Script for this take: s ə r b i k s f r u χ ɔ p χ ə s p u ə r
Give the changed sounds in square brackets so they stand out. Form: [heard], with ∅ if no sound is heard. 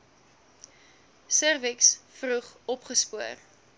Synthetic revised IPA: s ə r [v] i k s f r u χ ɔ p χ ə s p u ə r

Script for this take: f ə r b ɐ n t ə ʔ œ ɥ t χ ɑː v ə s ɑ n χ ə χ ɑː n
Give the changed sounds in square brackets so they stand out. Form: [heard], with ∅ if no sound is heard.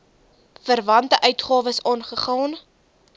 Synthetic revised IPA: f ə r [v] ɐ n t ə ʔ œ ɥ t χ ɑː v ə s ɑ n χ ə χ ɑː n

